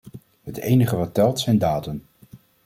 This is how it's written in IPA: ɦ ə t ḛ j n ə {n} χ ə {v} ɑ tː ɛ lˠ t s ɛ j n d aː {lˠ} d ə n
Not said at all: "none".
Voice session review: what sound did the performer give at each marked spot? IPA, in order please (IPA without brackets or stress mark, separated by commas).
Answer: none, ʋ, none